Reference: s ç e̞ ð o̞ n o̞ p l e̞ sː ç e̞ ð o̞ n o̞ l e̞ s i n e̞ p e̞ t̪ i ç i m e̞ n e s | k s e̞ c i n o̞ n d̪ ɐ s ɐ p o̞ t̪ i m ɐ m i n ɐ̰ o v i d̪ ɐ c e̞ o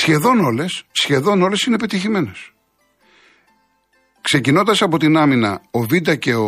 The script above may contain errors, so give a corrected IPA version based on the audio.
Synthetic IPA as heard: s ç e̞ ð o̞ n o̞ l e̞ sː ç e̞ ð o̞ n o̞ l e̞ s i n e̞ p e̞ t̪ i ç i m e̞ n e s | k s e̞ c i n o̞ n d̪ ɐ s ɐ p o̞ t̪ i n ɐ m i n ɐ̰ o v i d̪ ɐ c e̞ o